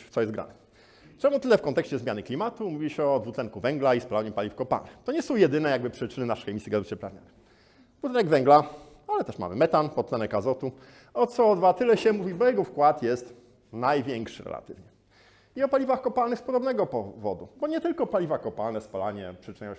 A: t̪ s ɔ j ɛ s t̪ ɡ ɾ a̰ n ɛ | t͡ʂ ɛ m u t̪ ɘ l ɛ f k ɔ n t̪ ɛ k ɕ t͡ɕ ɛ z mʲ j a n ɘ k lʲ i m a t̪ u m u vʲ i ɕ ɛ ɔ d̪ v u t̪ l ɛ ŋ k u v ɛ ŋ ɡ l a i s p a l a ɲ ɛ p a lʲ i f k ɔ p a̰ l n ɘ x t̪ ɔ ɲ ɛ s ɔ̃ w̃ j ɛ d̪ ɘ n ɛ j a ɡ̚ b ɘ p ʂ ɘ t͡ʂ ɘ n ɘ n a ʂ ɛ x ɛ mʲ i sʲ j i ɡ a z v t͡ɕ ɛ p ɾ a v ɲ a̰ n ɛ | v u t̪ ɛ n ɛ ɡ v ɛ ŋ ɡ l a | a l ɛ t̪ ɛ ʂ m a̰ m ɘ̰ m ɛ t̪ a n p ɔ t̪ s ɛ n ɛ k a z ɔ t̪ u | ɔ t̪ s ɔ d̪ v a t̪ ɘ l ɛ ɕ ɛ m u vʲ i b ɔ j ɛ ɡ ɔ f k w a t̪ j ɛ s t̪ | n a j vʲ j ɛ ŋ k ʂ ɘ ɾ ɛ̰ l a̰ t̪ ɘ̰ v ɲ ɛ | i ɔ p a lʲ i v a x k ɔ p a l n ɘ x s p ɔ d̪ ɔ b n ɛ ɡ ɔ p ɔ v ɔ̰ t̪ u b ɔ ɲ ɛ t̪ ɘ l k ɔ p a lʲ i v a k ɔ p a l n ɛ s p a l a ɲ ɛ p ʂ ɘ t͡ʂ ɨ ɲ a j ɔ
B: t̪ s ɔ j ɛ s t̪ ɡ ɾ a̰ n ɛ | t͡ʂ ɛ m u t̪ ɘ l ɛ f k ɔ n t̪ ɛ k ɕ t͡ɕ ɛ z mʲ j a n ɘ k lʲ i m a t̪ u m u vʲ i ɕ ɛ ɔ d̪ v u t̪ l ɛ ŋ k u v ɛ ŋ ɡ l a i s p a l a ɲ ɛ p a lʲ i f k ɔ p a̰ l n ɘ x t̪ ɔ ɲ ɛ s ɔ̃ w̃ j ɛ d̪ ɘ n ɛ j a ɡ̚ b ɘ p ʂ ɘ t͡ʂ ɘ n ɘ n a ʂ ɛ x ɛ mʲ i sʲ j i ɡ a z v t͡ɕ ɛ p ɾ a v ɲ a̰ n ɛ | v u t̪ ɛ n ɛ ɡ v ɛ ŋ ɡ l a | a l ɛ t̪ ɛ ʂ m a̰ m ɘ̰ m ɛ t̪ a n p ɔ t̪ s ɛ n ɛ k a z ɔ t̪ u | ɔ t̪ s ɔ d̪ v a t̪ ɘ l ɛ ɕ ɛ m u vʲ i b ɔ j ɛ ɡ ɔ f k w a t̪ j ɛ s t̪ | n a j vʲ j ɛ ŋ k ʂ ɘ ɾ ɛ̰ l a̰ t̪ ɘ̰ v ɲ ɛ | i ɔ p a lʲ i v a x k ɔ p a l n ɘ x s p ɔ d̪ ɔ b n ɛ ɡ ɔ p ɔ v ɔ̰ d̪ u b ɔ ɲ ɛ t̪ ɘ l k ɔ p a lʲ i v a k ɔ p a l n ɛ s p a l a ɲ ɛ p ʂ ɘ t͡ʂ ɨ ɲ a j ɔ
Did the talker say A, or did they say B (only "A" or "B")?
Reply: B